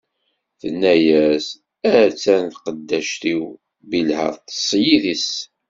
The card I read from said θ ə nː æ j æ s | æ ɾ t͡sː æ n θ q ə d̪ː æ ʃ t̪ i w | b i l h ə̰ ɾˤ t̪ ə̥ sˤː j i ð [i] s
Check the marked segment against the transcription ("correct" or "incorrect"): correct